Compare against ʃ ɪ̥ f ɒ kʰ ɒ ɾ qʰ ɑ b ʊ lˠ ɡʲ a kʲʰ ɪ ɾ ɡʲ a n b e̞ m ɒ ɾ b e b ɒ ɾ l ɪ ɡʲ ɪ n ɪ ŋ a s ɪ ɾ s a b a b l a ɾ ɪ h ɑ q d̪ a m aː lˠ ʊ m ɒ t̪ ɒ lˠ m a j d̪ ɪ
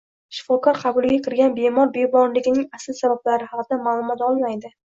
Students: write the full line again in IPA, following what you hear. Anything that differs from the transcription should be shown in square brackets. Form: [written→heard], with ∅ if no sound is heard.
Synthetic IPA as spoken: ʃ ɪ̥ f ɒ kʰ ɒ ɾ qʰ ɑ b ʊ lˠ ɡʲ a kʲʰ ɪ ɾ ɡʲ a n b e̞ m ɒ ɾ b e b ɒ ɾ l ɪ ɡʲ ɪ n ɪ ŋ a s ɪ [ɾ→l] s a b a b l a ɾ ɪ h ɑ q d̪ a m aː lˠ ʊ m ɒ t̪ ɒ lˠ m a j d̪ ɪ